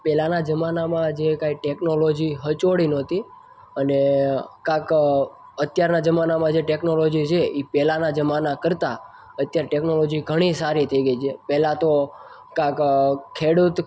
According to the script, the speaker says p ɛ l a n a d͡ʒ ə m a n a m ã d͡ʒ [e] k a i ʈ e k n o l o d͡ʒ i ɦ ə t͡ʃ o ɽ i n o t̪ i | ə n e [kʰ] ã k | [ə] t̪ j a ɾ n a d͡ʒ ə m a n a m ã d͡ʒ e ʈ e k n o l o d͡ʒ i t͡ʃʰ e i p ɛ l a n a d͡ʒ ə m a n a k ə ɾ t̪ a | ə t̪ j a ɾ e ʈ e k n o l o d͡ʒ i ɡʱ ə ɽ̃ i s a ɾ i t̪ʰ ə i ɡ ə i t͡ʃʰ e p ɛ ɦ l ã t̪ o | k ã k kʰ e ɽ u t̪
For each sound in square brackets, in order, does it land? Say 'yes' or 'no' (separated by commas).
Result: yes, no, yes